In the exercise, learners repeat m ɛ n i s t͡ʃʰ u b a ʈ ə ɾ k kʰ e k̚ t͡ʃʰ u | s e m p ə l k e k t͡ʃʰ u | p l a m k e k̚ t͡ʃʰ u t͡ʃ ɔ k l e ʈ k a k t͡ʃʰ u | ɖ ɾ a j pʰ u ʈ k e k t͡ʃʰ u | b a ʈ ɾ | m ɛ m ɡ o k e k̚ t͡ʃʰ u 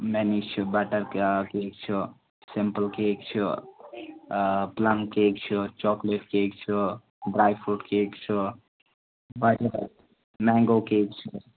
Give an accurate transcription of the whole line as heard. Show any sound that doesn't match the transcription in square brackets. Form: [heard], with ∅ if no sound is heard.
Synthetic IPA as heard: m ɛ n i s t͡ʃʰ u b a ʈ ə ɾ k [k] e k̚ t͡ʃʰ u | s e m p ə l k e k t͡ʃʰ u | p l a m k e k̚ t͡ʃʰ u t͡ʃ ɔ k l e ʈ k [e] k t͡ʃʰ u | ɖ ɾ a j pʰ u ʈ k e k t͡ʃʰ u | b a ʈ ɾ | m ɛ [ŋ] ɡ o k e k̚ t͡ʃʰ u